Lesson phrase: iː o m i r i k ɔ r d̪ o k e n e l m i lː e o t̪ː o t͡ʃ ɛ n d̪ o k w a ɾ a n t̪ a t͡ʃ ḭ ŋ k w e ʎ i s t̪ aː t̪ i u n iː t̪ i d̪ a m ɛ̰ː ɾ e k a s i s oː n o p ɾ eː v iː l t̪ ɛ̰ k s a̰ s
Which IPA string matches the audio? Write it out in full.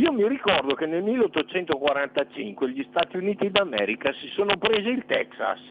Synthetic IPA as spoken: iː o m i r i k ɔ r d̪ o k e n e l m i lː e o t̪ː o t͡ʃ ɛ n t̪ o k w a ɾ a n t̪ a t͡ʃ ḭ ŋ k w e ʎ i s t̪ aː t̪ i u n iː t̪ i d̪ a m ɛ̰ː ɾ i k a s i s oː n o p ɾ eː z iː l t̪ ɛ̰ k s a̰ s